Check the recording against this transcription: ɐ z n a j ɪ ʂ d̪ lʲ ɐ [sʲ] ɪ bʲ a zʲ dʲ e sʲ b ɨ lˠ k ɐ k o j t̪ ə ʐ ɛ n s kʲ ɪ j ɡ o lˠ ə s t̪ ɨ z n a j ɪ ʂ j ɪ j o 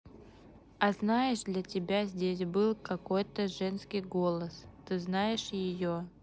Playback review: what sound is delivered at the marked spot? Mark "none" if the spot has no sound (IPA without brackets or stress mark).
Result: tʲ